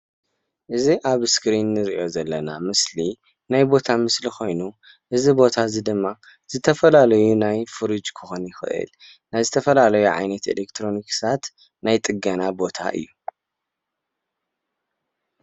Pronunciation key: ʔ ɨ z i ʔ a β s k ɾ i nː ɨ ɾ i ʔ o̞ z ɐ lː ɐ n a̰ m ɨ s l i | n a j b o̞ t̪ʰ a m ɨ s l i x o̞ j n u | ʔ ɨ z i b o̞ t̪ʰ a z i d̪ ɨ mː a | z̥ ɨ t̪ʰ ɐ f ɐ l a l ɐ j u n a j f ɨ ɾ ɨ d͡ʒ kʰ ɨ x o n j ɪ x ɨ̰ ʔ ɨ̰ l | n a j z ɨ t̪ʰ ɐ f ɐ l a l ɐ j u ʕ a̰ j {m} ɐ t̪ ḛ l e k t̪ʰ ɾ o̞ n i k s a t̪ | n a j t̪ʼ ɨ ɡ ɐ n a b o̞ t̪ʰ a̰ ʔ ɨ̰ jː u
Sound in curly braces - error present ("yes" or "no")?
yes